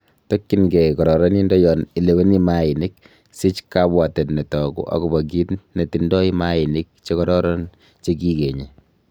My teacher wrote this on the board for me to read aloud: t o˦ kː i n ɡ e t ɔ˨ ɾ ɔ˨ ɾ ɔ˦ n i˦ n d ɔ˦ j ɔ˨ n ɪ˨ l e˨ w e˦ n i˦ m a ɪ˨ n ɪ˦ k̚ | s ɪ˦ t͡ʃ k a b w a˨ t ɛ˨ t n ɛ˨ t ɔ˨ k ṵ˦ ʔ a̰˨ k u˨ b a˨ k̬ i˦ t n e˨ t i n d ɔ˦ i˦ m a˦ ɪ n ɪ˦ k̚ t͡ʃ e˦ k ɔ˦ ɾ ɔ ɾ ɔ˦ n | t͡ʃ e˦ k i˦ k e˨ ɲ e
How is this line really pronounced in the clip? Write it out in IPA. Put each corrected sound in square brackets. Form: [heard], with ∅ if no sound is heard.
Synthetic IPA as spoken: t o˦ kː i n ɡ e [k] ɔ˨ ɾ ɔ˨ ɾ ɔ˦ n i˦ n d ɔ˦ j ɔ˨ n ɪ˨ l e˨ w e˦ n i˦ m a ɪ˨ n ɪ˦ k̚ | s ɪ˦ t͡ʃ k a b w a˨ t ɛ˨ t n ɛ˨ t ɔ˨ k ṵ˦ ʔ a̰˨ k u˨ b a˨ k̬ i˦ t n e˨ t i n d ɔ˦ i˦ m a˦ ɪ n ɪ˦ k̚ t͡ʃ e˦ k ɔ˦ ɾ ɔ ɾ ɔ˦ n | t͡ʃ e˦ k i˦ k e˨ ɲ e

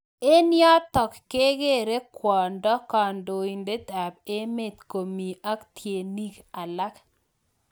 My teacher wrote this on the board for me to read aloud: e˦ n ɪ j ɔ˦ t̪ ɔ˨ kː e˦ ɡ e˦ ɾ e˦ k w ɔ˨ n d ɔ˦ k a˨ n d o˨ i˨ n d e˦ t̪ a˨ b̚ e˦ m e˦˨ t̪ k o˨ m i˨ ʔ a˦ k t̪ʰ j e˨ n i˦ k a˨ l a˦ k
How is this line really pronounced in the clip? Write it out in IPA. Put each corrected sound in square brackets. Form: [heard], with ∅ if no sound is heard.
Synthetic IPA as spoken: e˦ n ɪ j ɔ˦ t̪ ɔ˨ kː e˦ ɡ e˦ ɾ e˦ k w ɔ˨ n d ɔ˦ k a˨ n d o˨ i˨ n d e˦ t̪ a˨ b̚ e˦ m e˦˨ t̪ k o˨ m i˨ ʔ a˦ k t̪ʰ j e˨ n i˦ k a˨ l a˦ k

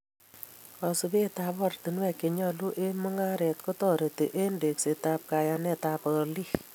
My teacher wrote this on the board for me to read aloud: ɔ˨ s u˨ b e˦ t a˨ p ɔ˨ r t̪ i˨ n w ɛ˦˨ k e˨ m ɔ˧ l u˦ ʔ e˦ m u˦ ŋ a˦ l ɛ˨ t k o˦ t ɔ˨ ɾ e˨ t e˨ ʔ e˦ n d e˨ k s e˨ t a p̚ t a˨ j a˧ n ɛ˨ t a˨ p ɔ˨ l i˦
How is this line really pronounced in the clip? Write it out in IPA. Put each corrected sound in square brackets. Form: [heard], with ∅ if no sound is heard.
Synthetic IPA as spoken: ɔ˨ s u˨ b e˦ t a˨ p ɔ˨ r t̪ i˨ n w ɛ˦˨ k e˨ [ɲ] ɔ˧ l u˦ ʔ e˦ m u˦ ŋ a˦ [ɾ] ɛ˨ t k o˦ t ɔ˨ ɾ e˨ t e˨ ʔ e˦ n d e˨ k s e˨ t a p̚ [k] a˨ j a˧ n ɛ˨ t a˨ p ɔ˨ l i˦

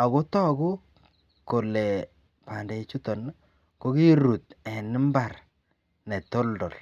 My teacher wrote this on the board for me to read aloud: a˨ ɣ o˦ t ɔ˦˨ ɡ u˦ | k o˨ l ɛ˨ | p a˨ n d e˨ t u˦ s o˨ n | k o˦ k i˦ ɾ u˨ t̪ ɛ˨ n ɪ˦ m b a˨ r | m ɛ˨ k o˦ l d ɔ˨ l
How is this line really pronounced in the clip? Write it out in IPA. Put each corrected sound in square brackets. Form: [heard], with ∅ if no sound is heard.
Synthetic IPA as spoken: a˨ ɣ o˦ t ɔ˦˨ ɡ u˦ | k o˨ l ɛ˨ | p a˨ n d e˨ [t͡ʃ] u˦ [t] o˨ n | k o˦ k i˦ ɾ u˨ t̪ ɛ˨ n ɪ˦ m b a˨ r | [n] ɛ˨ [t] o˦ l d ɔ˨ l

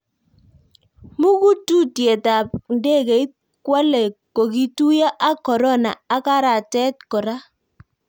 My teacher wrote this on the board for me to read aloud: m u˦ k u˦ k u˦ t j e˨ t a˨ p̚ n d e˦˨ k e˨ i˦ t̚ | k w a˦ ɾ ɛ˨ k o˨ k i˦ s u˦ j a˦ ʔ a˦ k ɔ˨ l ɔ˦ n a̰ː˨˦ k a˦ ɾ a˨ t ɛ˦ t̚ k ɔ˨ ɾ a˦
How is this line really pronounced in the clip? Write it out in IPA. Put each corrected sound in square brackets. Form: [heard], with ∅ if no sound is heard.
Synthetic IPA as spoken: m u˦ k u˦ [t] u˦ t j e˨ t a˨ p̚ n d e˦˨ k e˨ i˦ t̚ | k w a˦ [l] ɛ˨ k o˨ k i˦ [t] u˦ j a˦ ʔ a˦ k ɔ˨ [ɾ] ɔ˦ n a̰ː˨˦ k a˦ ɾ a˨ t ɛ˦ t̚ k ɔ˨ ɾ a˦

